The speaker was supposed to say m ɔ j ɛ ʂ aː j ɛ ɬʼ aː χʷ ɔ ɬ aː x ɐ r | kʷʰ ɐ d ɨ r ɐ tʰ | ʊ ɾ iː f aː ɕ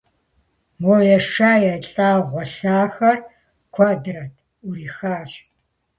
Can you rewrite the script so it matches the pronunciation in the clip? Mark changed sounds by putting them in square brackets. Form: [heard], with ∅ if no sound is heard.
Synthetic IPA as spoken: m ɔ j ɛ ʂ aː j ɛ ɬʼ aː [ʁʷ] ɔ ɬ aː x ɐ r | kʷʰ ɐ d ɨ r ɐ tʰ | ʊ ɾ iː [x] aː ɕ